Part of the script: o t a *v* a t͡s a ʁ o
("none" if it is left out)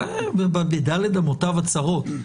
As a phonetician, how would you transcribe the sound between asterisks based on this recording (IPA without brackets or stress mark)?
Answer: v